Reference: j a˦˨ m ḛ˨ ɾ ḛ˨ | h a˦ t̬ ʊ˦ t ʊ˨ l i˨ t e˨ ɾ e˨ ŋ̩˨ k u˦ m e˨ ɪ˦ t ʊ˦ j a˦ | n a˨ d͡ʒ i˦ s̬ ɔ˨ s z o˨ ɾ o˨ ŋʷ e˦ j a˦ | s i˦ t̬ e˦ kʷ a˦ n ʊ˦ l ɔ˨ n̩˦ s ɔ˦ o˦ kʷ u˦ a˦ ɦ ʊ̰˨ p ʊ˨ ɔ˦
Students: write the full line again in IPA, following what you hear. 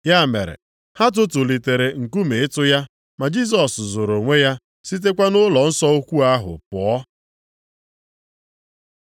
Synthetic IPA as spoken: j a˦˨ m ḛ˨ ɾ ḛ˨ | h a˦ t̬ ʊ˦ t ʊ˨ l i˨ t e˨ ɾ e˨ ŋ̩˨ k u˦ m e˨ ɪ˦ t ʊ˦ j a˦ | m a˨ d͡ʒ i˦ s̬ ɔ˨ s z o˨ ɾ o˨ ŋʷ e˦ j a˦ | s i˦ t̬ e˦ kʷ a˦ n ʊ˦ l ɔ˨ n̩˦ s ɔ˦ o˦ kʷ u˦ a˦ ɦ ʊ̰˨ p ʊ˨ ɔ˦